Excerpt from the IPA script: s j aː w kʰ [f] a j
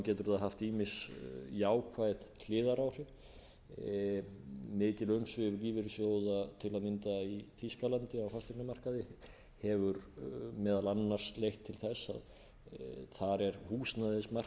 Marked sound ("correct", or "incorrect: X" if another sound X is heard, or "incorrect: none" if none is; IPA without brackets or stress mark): incorrect: v